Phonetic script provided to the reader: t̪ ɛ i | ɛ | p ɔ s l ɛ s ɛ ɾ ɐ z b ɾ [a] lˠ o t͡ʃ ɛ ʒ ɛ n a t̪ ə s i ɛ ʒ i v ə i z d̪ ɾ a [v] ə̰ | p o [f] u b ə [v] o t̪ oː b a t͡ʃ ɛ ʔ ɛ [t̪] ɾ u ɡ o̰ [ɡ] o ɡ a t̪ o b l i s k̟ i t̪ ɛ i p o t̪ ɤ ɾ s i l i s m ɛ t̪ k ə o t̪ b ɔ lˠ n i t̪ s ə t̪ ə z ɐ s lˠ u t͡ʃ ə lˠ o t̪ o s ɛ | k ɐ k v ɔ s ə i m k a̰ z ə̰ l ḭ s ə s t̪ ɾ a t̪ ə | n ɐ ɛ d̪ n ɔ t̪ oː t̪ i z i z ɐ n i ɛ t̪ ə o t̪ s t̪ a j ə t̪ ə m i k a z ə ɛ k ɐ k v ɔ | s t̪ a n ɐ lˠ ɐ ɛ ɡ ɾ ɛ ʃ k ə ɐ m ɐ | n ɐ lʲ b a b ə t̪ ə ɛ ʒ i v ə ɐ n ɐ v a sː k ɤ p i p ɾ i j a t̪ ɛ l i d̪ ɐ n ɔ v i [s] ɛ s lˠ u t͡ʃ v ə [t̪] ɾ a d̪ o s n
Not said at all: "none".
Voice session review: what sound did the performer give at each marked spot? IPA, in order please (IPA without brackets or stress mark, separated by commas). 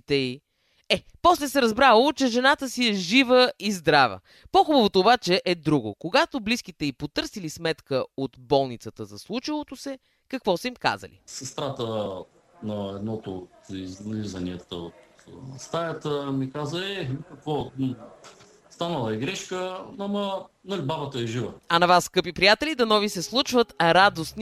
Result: a, v, x, v, d̪, k, s, t̪